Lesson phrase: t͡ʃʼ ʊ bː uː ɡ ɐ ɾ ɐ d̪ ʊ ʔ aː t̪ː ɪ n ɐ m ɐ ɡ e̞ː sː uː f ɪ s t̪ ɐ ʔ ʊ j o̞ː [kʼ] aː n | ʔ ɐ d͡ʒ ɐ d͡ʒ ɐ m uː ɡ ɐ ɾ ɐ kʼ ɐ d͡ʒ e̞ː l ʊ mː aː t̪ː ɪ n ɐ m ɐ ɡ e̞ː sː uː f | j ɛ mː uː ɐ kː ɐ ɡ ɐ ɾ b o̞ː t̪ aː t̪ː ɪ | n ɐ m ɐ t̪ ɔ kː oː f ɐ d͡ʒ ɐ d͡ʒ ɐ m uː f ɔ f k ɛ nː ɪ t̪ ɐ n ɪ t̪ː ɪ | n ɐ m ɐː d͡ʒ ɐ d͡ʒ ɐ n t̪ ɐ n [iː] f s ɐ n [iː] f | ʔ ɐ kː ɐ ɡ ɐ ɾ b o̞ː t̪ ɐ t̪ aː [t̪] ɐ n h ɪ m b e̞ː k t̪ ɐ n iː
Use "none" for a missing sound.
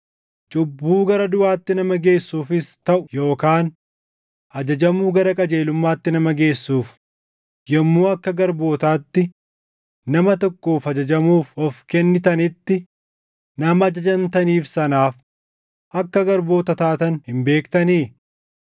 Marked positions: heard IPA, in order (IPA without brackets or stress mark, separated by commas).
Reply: k, iː, aː, t̪